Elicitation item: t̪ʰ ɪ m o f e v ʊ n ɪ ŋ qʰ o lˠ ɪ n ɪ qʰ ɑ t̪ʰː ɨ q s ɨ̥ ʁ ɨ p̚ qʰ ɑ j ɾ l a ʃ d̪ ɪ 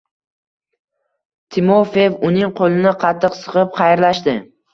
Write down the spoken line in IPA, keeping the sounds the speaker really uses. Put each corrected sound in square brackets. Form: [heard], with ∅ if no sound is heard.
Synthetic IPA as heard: t̪ʰ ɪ m o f e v ʊ n ɪ ŋ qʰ o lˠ ɪ n ɪ qʰ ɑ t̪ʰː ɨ q s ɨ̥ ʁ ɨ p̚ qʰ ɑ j ɾ l a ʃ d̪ ɪ